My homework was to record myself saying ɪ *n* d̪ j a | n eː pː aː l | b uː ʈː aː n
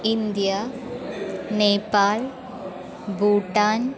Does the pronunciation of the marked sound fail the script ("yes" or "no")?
no